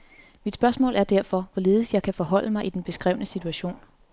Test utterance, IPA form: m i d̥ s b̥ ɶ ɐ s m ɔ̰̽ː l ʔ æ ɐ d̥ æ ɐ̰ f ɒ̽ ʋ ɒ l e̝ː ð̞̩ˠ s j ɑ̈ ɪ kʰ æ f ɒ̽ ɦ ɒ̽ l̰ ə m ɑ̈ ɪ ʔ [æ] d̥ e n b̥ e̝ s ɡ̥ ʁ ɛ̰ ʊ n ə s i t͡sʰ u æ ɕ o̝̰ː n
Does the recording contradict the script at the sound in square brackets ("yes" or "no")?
yes